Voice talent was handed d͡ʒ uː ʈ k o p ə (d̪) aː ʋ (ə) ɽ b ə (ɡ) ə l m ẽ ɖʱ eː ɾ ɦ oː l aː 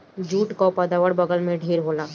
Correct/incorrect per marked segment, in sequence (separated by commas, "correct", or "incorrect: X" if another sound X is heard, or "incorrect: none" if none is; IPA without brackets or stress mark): correct, correct, correct